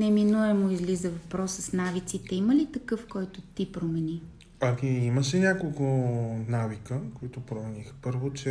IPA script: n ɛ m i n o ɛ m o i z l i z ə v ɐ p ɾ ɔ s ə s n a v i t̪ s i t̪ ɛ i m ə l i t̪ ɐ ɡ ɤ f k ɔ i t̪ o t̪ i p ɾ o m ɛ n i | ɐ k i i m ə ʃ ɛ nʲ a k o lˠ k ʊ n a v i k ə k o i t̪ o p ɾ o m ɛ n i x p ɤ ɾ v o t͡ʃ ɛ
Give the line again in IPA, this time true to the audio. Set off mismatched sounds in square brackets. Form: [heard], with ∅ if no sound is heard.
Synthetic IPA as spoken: n ɛ m i n [u] ɛ m o i z l i z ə v ɐ p ɾ ɔ s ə s n a v i t̪ s i t̪ ɛ i m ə l i t̪ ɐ [k] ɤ f k ɔ [j] t̪ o t̪ i p ɾ o m ɛ n i | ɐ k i i m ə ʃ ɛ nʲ a k o lˠ k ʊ n a v i k ə k o i t̪ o p ɾ o m ɛ n i x p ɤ ɾ v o t͡ʃ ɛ